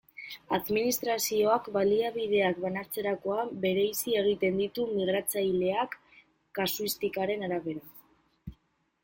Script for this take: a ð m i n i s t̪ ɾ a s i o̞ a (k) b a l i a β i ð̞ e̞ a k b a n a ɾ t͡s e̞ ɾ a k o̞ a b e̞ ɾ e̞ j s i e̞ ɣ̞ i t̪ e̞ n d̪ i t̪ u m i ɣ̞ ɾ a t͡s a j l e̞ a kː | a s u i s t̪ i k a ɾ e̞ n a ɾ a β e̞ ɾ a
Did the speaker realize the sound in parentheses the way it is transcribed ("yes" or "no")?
yes